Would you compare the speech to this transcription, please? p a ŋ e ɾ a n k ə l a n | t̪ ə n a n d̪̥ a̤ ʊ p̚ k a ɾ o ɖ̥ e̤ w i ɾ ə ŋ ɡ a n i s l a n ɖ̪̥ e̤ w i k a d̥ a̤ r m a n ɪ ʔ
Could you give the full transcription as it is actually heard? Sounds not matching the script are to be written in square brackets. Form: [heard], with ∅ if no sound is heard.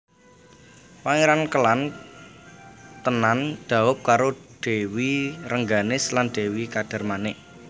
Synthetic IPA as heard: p a ŋ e ɾ a n k ə l a n | t̪ ə n a n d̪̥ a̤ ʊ p̚ k a ɾ o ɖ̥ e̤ w i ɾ ə ŋ ɡ a n [ɪ] s l a n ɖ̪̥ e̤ w i k a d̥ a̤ r m a n ɪ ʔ